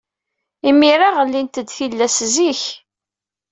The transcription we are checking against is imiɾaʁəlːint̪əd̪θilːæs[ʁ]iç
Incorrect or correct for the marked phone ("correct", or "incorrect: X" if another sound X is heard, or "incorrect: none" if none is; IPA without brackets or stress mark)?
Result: incorrect: z